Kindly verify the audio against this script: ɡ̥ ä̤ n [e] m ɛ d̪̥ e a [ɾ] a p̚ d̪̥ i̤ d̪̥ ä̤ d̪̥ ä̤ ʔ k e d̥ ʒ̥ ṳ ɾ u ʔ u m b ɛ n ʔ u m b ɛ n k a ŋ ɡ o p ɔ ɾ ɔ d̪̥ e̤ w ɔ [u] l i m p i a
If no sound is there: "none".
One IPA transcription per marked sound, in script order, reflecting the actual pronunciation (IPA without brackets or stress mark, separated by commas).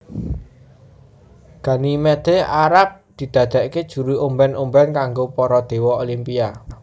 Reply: i, ɾ, o